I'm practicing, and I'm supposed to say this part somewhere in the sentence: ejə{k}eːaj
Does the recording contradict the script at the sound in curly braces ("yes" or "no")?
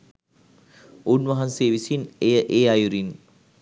yes